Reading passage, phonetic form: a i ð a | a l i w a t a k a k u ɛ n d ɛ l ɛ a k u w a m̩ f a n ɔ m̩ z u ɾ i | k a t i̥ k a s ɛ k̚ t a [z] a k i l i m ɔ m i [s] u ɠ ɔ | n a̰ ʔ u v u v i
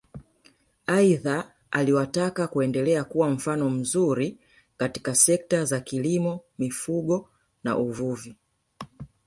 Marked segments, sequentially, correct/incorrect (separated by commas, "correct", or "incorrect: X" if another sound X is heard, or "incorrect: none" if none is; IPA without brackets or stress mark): correct, incorrect: f